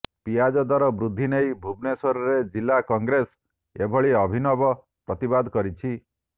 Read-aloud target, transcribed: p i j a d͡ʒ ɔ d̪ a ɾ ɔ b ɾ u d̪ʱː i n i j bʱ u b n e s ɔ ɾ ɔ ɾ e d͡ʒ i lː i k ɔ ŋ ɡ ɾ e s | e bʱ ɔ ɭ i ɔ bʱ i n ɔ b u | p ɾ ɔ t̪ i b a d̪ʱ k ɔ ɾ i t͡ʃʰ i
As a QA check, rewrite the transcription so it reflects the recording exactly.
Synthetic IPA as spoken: p i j a d͡ʒ ɔ d̪ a ɾ ɔ b ɾ u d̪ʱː i n e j bʱ u b n e s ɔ ɾ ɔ ɾ e d͡ʒ i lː a k ɔ ŋ ɡ ɾ e s | e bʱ ɔ ɭ i ɔ bʱ i n ɔ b ɔ | p ɾ ɔ t̪ i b a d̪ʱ k ɔ ɾ i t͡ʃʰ i